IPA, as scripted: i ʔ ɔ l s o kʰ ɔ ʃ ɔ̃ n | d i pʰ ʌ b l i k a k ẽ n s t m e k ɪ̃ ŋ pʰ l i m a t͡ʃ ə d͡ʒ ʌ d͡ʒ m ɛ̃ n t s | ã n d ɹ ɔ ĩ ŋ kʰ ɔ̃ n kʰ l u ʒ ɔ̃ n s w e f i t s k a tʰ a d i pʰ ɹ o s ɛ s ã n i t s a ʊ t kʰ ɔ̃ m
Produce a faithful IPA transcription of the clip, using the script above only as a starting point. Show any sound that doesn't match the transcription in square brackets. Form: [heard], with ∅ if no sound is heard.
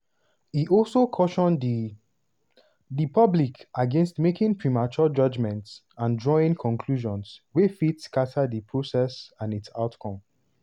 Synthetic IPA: i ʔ ɔ l s o kʰ ɔ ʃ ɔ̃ n | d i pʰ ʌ b l i k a [ɡ] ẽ n s t m e k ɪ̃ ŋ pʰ [ɹ] i m a t͡ʃ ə d͡ʒ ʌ d͡ʒ m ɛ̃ n t s | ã n d ɹ ɔ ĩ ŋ kʰ ɔ̃ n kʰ l u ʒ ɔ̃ n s w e f i t s k a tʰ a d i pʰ ɹ o s ɛ s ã n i t s a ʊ t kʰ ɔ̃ m